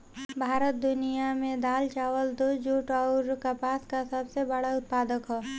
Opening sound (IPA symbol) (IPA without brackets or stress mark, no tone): bʱ